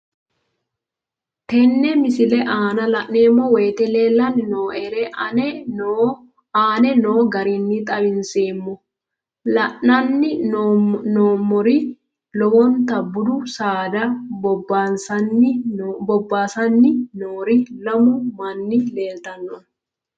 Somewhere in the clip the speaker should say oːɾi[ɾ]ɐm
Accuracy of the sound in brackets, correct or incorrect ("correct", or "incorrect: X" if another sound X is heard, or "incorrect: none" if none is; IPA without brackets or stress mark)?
incorrect: l